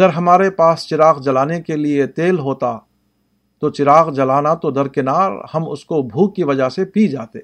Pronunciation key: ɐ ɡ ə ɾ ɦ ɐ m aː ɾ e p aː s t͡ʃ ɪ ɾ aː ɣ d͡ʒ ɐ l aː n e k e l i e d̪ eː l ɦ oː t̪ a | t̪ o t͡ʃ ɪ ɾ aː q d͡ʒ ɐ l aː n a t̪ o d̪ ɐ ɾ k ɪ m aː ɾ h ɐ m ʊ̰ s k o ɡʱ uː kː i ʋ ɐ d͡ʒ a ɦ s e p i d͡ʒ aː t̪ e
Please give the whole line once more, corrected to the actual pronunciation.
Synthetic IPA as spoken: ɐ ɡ ə ɾ ɦ ɐ m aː ɾ e p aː s t͡ʃ ɪ ɾ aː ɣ d͡ʒ ɐ l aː n e k e l i e t̪ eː l ɦ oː t̪ a | t̪ o t͡ʃ ɪ ɾ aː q d͡ʒ ɐ l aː n a t̪ o d̪ ɐ ɾ k ɪ n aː ɾ h ɐ m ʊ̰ s k o bʱ uː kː i ʋ ɐ d͡ʒ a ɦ s e p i d͡ʒ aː t̪ e